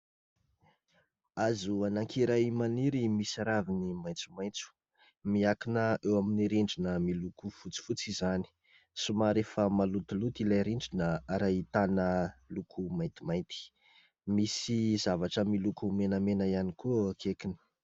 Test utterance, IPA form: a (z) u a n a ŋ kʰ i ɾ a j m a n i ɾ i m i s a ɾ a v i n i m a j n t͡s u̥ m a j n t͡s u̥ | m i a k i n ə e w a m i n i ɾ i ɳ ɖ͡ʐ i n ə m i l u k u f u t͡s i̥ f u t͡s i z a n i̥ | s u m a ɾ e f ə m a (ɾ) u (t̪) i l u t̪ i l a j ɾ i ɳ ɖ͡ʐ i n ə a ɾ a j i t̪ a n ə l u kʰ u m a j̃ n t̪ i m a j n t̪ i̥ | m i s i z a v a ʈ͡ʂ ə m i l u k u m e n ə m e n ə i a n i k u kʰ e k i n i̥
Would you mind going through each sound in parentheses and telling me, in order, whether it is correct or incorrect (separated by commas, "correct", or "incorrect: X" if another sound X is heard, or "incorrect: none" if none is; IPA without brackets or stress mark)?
correct, incorrect: l, correct